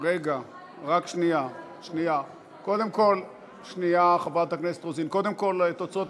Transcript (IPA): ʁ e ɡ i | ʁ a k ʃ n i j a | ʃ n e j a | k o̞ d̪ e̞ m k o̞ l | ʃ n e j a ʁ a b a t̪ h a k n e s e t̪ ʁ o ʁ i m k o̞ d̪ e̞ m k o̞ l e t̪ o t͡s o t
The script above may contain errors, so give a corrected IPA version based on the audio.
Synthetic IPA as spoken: ʁ e ɡ a | ʁ a k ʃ n i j a | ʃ n i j a | k o̞ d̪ e̞ m k o̞ l | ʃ n i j a χ a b a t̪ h a k n e s e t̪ ʁ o z i n k o̞ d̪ e̞ m k o̞ l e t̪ o t͡s o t